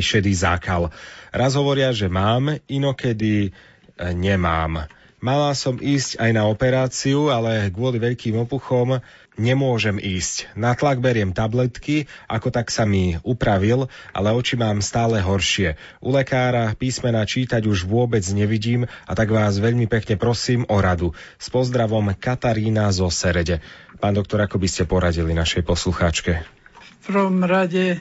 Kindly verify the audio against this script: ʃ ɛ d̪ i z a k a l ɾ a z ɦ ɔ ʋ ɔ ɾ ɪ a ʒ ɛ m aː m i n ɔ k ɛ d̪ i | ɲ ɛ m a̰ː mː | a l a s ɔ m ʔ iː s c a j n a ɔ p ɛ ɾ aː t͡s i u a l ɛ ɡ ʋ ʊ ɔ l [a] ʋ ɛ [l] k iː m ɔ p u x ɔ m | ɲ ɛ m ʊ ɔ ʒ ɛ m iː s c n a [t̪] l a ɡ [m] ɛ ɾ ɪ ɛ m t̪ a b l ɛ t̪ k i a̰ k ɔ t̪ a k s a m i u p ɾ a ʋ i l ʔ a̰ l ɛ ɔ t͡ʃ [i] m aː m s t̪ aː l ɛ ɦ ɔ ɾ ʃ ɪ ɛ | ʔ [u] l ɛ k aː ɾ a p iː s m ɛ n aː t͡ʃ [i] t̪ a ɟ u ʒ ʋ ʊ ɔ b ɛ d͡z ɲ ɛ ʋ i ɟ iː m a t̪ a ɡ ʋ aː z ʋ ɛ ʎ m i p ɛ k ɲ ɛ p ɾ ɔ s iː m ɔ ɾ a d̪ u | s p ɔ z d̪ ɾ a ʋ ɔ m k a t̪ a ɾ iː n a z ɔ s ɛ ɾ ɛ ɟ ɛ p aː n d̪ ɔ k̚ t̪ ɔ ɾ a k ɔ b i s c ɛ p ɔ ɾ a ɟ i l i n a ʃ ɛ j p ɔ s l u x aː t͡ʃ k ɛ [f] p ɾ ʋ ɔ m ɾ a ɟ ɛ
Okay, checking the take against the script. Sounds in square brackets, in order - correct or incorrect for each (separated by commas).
incorrect, incorrect, correct, incorrect, correct, correct, incorrect, correct